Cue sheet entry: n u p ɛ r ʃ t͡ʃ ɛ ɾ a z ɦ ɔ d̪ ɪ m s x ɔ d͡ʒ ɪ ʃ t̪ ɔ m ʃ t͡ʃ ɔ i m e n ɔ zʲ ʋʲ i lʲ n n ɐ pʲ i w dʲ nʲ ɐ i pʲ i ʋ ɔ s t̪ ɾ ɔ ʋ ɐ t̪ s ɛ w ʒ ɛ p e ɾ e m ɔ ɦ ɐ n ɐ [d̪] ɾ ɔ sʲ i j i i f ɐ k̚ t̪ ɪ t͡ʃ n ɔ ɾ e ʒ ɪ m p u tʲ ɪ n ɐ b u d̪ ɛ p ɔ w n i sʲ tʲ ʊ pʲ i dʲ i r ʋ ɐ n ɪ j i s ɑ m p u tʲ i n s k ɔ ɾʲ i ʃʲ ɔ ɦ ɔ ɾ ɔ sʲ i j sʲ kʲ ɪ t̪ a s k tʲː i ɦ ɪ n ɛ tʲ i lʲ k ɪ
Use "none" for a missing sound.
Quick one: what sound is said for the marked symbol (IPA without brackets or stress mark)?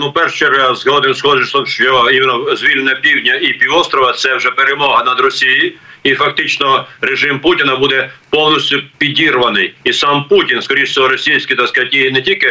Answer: d̪